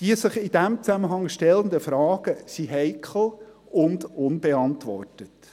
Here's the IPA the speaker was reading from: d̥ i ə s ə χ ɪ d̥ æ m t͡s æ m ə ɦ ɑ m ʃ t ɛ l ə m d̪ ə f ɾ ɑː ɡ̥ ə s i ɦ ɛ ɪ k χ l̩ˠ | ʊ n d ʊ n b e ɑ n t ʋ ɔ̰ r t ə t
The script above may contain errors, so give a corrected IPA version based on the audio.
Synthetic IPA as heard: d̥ i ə s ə χ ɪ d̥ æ m t͡s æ m ə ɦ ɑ ŋ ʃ t ɛ l ə n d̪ ə f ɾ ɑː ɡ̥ ə s i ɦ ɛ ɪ k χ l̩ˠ | ʊ n d ʊ n b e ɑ n t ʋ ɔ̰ r t ə t